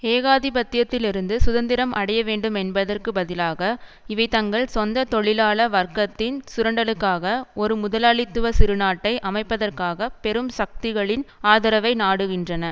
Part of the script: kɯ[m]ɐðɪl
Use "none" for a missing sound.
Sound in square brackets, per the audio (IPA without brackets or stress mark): b